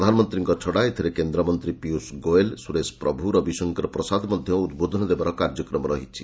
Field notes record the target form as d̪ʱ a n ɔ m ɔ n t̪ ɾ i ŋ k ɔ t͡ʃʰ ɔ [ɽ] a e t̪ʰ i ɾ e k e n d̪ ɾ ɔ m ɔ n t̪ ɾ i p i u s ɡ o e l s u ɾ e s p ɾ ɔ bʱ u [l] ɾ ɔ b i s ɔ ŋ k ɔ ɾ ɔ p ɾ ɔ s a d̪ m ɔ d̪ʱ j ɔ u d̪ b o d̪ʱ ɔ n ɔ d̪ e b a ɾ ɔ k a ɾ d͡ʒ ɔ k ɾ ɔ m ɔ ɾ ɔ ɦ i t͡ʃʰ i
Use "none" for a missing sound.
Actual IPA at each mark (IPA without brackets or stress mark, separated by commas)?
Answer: ɽ, none